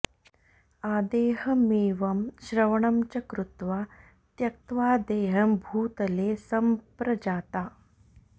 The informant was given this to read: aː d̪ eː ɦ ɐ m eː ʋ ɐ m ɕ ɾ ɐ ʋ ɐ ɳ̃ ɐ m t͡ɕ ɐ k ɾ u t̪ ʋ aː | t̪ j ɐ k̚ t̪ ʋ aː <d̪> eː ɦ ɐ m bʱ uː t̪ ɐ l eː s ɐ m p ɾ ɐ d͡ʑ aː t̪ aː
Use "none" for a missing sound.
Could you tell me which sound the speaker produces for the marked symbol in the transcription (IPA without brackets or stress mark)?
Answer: d̪